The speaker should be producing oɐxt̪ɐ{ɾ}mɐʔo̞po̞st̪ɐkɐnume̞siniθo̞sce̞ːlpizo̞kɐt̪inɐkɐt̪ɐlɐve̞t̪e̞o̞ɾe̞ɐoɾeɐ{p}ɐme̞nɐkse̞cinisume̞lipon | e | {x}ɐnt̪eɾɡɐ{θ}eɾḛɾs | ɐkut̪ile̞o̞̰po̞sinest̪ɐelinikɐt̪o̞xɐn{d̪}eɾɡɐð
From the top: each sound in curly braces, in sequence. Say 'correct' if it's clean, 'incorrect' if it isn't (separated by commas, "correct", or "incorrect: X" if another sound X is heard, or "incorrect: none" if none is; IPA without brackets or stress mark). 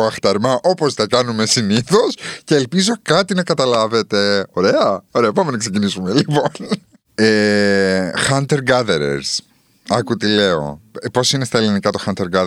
correct, correct, correct, incorrect: ð, incorrect: t̪